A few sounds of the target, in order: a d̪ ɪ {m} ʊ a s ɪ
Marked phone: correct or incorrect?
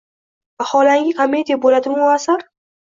correct